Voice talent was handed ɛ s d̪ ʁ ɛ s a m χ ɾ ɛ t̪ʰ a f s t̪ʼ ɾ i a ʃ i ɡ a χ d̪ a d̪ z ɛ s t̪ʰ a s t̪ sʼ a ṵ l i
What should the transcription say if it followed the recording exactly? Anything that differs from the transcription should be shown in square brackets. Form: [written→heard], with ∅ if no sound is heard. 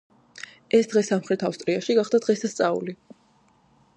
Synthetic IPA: ɛ s d̪ ʁ ɛ s a m χ ɾ ɛ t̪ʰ a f s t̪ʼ ɾ i a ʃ i ɡ a χ d̪ a d̪ [z→ʁ] ɛ s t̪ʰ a s t̪ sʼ a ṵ l i